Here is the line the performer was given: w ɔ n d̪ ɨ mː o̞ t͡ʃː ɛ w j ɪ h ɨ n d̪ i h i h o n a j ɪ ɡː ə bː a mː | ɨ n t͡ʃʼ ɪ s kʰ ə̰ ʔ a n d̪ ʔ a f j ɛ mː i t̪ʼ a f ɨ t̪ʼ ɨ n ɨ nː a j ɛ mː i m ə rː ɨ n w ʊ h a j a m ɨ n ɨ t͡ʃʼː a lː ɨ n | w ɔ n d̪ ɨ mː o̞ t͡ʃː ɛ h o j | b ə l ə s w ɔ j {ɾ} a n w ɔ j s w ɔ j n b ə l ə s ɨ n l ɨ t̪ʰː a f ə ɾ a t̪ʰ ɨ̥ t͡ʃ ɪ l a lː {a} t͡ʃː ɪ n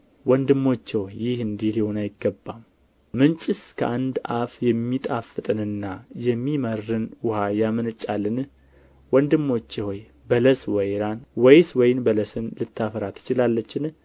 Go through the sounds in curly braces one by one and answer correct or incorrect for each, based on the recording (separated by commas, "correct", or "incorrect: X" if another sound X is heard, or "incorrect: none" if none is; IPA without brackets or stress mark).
correct, incorrect: ə